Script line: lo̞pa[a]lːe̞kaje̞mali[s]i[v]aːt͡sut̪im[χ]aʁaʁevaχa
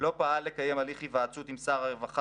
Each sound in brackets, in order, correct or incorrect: correct, incorrect, correct, incorrect

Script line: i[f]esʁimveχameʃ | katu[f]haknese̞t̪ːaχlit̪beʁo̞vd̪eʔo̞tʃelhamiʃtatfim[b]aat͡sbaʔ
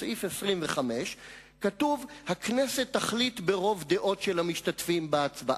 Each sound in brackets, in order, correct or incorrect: correct, incorrect, correct

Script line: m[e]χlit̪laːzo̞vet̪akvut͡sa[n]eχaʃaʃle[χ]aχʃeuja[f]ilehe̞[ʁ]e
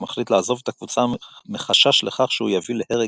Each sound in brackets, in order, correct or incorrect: incorrect, incorrect, correct, incorrect, correct

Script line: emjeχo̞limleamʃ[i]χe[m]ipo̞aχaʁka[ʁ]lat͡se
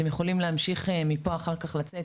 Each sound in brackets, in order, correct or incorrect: correct, correct, incorrect

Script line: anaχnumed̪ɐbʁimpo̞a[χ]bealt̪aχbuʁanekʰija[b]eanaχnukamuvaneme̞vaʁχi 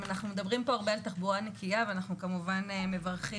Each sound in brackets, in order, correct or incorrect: incorrect, incorrect

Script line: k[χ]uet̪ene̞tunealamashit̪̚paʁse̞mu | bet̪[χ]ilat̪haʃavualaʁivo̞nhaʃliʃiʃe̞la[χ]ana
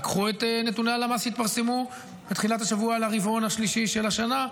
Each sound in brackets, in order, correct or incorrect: correct, correct, incorrect

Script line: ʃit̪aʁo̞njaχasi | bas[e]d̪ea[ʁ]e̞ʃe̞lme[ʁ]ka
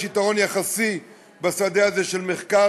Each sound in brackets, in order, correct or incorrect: incorrect, incorrect, incorrect

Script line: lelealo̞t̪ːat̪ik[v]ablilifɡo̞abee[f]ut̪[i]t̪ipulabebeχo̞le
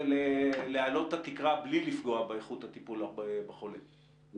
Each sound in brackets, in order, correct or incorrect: incorrect, incorrect, incorrect

